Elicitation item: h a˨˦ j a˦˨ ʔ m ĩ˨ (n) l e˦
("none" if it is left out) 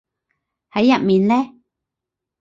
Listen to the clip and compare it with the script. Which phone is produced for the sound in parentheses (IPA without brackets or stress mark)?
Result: n